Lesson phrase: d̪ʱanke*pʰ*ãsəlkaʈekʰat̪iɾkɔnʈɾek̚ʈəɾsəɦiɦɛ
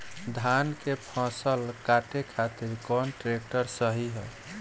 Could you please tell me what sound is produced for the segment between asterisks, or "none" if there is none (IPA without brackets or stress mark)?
pʰ